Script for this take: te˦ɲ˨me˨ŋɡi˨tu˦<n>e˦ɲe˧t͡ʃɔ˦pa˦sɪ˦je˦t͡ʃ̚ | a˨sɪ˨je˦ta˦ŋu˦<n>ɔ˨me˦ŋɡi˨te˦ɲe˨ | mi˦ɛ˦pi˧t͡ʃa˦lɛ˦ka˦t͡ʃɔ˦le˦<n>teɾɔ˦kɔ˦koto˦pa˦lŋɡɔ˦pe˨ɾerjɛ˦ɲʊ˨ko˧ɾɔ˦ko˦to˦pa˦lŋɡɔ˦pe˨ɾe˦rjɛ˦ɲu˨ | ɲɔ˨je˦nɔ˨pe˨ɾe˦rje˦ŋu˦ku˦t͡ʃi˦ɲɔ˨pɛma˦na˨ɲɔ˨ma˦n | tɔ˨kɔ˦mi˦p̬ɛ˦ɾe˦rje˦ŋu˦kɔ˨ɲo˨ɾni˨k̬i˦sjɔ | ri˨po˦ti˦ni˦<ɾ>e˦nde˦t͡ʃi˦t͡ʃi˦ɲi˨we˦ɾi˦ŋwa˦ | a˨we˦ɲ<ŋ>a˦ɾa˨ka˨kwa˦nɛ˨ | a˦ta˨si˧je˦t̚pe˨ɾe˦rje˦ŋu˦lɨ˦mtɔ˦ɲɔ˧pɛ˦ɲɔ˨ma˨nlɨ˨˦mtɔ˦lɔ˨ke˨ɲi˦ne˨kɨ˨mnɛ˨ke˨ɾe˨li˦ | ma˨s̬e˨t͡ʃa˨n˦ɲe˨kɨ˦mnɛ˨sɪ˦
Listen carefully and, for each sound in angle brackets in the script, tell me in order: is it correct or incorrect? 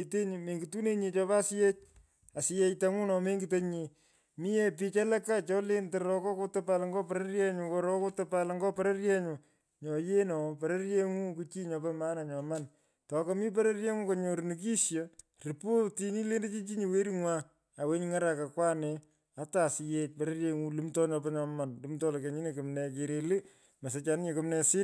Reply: correct, correct, correct, incorrect: l, correct

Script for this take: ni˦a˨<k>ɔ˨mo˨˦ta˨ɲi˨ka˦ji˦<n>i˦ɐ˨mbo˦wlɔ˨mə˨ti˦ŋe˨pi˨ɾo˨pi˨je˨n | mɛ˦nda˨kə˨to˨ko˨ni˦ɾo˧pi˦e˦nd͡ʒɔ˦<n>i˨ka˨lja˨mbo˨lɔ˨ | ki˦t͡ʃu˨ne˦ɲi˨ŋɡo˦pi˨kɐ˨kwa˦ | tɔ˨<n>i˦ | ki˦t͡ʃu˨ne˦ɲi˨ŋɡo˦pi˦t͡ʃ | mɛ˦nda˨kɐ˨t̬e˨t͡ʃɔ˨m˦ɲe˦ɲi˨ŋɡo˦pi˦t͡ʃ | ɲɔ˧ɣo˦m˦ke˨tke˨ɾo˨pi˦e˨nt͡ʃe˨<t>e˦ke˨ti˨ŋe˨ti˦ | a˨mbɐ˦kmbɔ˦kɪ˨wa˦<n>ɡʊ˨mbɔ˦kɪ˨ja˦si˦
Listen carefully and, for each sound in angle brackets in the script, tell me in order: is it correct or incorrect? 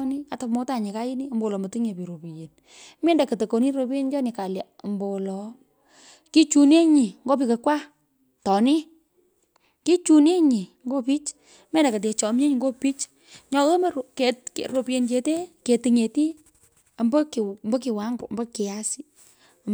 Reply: incorrect: t, correct, correct, correct, correct, incorrect: ŋ

